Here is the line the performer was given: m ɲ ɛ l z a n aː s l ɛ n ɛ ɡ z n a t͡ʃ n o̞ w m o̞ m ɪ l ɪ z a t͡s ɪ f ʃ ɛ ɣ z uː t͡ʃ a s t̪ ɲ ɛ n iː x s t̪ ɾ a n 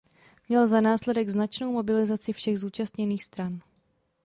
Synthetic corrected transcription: m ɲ ɛ l z a n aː s l ɛ d ɛ ɡ z n a t͡ʃ n o̞ w m o̞ b ɪ l ɪ z a t͡s ɪ f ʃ ɛ ɣ z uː t͡ʃ a s t̪ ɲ ɛ n iː x s t̪ ɾ a n

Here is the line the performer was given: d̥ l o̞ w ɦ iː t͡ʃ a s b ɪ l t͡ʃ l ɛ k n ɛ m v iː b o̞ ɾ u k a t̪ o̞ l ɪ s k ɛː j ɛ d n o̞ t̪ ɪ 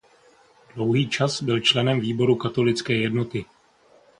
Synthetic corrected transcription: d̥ l o̞ w ɦ iː t͡ʃ a s b ɪ l t͡ʃ l ɛ n ɛ m v iː b o̞ ɾ u k a t̪ o̞ l ɪ t͡s k ɛː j ɛ d n o̞ t̪ ɪ

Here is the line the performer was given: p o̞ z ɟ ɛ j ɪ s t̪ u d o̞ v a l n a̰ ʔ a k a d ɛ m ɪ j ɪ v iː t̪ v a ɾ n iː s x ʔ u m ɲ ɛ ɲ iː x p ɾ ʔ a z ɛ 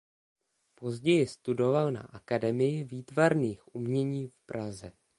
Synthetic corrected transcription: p o̞ z ɟ ɛ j ɪ s t̪ u d o̞ v a l n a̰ ʔ a k a d ɛ m ɪ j ɪ v iː t̪ v a ɾ n iː x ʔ u m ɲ ɛ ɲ iː f p ɾ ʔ a z ɛ

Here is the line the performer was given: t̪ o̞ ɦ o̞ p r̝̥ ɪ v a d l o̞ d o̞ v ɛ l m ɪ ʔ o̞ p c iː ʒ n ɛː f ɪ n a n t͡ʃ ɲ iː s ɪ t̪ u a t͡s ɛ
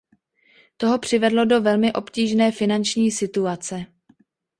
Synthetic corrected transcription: t̪ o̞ ɦ o̞ p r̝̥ ɪ v ɛ d l o̞ d o̞ v ɛ l m ɪ ʔ o̞ p c iː ʒ n ɛː f ɪ n a n t͡ʃ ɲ iː s ɪ t̪ u a t͡s ɛ

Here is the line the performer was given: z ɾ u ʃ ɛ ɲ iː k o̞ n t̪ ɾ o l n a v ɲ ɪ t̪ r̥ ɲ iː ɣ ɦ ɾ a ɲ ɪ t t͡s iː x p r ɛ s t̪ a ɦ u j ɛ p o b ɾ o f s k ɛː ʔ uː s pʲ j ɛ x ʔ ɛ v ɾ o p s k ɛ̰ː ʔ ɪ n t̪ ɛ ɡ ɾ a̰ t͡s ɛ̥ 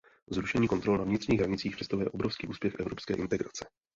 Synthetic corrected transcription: z ɾ u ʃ ɛ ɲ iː k o̞ n t̪ ɾ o l n a v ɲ ɪ t̪ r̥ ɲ iː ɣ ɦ ɾ a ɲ ɪ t t͡s iː x p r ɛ s t̪ a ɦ u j ɛ ʔ o b ɾ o f s k iː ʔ uː s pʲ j ɛ x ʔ ɛ v ɾ o p s k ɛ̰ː ʔ ɪ n t̪ ɛ ɡ ɾ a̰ t͡s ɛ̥

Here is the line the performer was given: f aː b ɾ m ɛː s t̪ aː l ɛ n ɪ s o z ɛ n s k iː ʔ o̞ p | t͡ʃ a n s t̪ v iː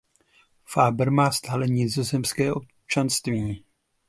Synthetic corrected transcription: f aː b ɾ m aː s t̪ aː l ɛ ɲ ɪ z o z ɛ m s k ɛː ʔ o̞ p | t͡ʃ a n s t̪ v iː

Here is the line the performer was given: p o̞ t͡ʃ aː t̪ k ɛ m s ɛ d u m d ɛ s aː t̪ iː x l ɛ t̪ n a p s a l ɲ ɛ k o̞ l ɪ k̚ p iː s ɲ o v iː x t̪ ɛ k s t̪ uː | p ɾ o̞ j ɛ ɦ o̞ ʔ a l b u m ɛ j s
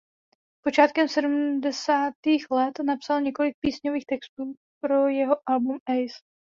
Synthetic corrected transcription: p o̞ t͡ʃ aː t̪ k ɛ m s ɛ d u m d ɛ s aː t̪ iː x l ɛ t̪ n a p s a l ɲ ɛ k o̞ l ɪ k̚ p iː s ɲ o v iː x t̪ ɛ k s t̪ uː | p ɾ o̞ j ɛ ɦ o̞ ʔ a l b u m ɛ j s

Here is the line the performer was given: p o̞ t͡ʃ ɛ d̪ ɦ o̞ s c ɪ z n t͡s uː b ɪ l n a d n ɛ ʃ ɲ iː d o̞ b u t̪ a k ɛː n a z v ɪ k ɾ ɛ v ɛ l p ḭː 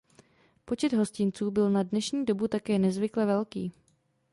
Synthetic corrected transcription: p o̞ t͡ʃ ɛ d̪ ɦ o̞ s c ɪ n t͡s uː b ɪ l n a d n ɛ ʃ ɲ iː d o̞ b u t̪ a k ɛː n ɛ z v ɪ k l ɛ v ɛ l k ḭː

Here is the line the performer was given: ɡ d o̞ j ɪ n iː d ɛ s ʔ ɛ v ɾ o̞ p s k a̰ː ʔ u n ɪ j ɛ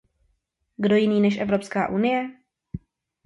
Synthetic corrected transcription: ɡ d o̞ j ɪ n iː n ɛ ʃ ʔ ɛ v ɾ o̞ p s k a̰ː ʔ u n ɪ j ɛ

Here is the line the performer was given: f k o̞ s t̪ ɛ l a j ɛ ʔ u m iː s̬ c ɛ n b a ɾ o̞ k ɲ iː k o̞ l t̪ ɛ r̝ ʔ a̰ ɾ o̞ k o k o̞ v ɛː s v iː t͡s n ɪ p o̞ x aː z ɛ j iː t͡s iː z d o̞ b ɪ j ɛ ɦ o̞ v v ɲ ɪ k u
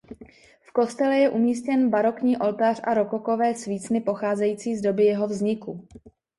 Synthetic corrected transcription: f k o̞ s t̪ ɛ l ɛ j ɛ ʔ u m iː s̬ c ɛ n b a ɾ o̞ k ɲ iː ʔ o̞ l t̪ a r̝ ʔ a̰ ɾ o̞ k o k o̞ v ɛː s v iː t͡s n ɪ p o̞ x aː z ɛ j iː t͡s iː z d o̞ b ɪ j ɛ ɦ o̞ v z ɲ ɪ k u

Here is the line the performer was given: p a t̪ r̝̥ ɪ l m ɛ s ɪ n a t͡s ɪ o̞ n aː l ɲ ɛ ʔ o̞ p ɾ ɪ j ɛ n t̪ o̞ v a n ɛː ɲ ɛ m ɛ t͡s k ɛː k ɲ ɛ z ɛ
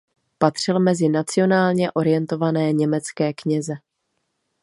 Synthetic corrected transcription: p a t̪ r̝̥ ɪ l m ɛ z ɪ n a t͡s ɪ o̞ n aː l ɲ ɛ ʔ o̞ ɾ ɪ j ɛ n t̪ o̞ v a n ɛː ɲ ɛ m ɛ t͡s k ɛː k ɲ ɛ z ɛ

